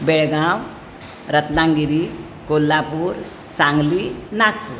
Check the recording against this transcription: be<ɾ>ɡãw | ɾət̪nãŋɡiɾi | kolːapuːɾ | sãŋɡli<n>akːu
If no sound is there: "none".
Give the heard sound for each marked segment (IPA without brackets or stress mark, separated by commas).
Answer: ɭ, n